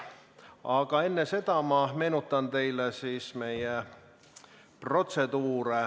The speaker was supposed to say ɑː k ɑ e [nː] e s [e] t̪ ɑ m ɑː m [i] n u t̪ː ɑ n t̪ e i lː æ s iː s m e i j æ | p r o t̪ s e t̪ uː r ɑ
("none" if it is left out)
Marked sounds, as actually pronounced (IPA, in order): nː, e, e

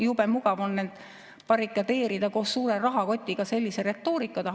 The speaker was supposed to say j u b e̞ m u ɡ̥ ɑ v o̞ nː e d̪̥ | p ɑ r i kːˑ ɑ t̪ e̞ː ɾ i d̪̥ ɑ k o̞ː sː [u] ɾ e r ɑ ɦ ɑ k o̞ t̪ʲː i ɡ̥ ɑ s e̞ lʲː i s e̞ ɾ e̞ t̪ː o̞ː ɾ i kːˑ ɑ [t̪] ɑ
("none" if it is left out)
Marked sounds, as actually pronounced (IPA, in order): uː, t̪

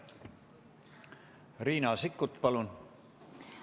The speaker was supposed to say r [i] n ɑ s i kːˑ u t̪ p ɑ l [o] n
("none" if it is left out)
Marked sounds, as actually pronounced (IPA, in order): iː, u

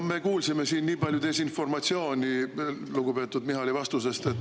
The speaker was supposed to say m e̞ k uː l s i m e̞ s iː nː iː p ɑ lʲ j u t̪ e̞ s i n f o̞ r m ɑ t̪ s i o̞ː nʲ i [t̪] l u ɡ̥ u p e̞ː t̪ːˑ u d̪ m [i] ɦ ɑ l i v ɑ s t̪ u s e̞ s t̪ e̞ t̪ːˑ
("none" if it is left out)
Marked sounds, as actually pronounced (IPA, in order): none, i

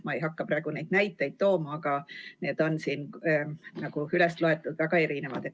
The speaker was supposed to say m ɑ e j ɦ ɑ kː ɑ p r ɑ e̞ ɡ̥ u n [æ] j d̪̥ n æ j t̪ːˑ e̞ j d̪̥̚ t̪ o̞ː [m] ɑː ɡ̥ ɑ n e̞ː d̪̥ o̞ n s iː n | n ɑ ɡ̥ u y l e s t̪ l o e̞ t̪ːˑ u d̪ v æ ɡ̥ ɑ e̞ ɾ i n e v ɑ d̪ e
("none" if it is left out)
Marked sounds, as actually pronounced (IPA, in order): e, m

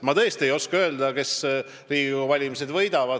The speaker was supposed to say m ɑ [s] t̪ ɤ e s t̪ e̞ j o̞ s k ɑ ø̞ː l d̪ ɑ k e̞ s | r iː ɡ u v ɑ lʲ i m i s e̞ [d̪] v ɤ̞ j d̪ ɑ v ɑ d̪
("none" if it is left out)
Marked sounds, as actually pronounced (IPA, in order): none, d̪

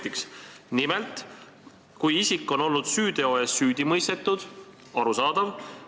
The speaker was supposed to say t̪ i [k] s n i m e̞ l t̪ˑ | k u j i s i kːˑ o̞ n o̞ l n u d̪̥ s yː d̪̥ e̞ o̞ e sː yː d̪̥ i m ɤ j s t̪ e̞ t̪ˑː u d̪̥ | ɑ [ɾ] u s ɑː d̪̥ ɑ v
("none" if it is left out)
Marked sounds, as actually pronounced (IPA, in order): k, ɾ

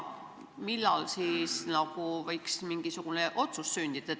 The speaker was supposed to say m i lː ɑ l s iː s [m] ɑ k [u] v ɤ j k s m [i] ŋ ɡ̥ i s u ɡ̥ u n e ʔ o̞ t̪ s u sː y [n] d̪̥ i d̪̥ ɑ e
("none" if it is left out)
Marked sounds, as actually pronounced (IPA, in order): n, u, i, n

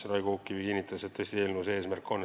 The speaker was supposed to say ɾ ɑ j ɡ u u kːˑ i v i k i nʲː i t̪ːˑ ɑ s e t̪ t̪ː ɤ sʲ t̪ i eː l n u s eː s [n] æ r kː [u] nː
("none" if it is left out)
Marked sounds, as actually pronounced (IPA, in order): m, o

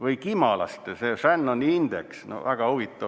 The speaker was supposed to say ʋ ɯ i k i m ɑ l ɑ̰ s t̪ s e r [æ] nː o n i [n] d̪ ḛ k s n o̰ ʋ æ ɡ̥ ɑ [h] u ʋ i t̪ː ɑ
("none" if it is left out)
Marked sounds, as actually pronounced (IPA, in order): æ, n, h

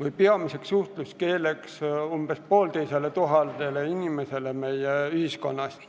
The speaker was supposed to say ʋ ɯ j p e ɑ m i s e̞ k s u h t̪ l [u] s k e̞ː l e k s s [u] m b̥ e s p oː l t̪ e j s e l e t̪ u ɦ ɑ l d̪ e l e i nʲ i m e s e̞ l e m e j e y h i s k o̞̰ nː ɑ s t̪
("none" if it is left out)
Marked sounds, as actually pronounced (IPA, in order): u, u

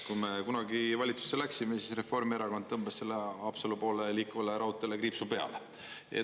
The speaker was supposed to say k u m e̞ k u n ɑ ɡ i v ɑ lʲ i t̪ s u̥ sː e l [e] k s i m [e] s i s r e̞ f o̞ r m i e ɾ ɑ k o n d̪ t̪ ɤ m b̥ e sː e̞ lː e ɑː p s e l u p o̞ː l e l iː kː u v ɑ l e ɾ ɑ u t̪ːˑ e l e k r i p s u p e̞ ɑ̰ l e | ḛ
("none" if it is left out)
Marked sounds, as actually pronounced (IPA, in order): æ, e

